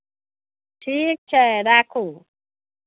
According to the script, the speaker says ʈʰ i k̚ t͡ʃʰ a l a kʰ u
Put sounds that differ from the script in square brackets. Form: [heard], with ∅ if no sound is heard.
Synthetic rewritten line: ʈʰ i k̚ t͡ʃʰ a [ɾ] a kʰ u